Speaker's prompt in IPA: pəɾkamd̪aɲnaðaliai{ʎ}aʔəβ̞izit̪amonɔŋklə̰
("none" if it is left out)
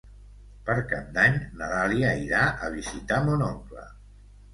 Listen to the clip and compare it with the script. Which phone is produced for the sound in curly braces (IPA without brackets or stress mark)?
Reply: ɾ